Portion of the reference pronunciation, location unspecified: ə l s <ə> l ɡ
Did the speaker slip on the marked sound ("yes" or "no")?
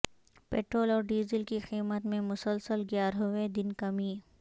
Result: no